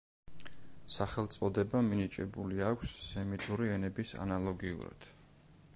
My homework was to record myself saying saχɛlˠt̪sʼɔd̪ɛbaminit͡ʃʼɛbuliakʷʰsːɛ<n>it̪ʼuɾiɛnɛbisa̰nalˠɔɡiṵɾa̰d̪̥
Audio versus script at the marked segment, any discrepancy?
yes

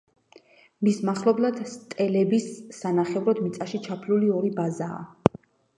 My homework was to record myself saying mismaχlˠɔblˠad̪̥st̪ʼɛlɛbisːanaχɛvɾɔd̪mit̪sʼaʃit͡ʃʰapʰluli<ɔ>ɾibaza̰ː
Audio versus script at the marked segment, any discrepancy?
no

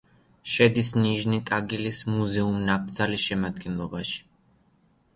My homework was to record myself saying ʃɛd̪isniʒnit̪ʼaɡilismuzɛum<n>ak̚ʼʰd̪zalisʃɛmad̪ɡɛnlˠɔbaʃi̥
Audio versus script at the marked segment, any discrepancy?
no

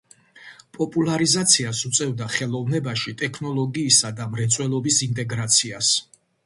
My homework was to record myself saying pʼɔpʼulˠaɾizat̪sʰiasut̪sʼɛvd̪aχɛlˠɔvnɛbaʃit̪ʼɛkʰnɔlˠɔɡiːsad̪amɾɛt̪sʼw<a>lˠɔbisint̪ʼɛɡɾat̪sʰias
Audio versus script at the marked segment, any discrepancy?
yes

